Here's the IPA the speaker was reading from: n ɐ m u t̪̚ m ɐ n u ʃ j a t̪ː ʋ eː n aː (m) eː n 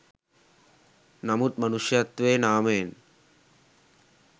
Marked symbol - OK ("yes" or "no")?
yes